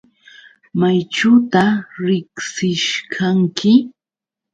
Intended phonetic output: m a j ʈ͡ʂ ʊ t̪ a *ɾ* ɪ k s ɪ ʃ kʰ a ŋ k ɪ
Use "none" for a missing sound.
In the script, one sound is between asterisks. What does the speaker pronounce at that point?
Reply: ɾ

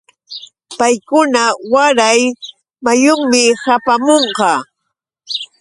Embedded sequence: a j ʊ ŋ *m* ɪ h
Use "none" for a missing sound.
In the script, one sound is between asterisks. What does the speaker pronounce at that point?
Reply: m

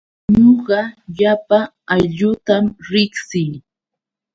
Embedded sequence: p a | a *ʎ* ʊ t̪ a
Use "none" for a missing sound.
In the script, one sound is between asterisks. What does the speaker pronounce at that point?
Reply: ʎ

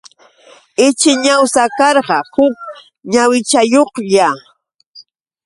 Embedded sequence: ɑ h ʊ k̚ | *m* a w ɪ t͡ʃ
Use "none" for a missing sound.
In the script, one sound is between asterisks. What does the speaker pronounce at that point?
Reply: ɲ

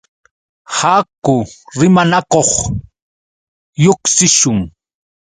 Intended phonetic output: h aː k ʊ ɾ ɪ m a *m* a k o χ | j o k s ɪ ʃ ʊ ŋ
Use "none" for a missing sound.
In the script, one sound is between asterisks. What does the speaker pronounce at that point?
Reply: n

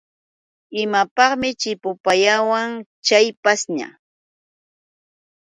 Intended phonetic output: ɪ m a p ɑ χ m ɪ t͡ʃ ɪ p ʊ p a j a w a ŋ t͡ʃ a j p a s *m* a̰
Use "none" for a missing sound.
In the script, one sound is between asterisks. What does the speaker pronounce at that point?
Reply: ɲ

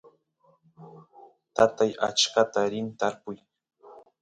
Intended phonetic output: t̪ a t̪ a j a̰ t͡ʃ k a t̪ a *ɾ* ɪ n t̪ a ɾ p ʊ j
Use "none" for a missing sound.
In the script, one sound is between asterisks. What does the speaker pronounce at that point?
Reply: ɾ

